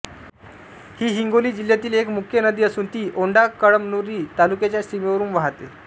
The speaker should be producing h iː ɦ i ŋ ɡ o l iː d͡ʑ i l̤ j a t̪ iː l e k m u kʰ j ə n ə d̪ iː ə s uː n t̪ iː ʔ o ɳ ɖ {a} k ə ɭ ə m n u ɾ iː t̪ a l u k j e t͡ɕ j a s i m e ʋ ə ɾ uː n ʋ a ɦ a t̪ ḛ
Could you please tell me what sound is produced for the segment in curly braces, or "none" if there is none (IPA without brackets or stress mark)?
a